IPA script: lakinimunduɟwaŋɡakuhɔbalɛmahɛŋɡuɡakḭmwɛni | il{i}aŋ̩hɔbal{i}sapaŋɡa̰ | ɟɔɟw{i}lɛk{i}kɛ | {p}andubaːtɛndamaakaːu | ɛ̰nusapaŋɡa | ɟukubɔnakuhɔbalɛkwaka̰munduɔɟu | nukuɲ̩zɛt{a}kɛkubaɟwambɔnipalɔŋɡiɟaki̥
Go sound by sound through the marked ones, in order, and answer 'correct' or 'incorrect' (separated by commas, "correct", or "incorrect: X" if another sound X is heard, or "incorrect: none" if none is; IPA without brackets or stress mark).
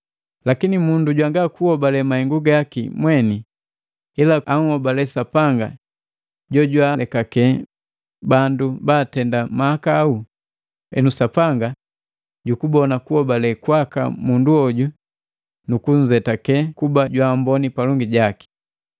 incorrect: a, incorrect: ɛ, incorrect: a, incorrect: a, incorrect: b, correct